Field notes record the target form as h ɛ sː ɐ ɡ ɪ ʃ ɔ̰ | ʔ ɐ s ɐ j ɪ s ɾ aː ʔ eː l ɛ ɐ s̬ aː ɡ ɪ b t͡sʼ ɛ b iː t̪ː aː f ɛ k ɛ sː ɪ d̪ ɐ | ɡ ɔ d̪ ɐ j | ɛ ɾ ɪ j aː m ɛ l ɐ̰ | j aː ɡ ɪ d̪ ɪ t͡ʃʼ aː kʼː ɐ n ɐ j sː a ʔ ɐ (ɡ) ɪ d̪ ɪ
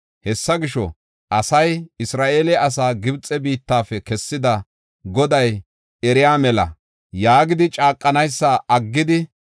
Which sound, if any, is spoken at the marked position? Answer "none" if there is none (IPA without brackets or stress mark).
ɡː